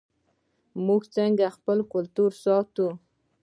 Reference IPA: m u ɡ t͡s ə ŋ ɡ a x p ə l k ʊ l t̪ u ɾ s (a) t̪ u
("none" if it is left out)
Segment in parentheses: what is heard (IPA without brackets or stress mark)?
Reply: ɑ